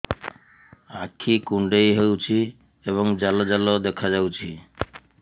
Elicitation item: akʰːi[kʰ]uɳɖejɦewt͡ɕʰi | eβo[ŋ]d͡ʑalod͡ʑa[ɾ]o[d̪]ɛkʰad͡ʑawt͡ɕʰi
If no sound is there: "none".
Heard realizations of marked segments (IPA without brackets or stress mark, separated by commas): k, ŋ, l, d̪